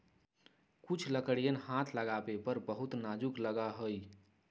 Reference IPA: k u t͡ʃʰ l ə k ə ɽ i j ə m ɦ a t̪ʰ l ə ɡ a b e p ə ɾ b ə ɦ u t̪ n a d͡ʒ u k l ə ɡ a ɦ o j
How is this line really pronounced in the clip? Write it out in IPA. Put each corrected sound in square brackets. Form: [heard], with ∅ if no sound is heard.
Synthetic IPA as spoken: k u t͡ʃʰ l ə k ə ɽ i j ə [n] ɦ a t̪ʰ l ə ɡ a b e p ə ɾ b ə ɦ u t̪ n a d͡ʒ u k l ə ɡ a ɦ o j